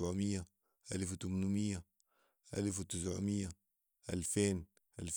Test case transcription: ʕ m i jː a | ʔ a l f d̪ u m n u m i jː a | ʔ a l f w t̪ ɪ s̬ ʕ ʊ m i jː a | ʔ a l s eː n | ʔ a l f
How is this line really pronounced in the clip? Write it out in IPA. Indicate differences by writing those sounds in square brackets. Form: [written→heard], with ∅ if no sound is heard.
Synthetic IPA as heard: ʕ m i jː a | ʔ a l f [d̪→t̪] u m n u m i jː a | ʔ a l f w t̪ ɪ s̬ ʕ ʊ m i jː a | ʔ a l [s→f] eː n | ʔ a l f